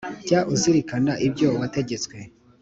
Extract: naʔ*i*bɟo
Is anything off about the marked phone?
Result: no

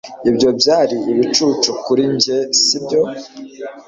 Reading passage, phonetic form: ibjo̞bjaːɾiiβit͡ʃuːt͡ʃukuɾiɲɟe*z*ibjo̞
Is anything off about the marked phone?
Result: yes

